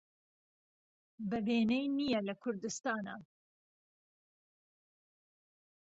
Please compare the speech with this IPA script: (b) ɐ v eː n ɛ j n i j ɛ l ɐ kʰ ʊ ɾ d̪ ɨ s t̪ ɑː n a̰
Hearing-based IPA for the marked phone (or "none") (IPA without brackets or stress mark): b